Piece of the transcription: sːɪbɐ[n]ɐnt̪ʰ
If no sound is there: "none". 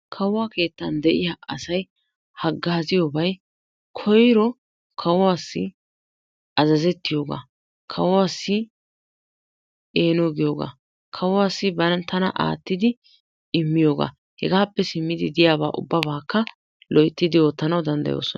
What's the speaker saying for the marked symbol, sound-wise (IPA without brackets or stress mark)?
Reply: n